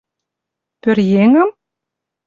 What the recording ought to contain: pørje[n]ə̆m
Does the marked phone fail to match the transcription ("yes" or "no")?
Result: yes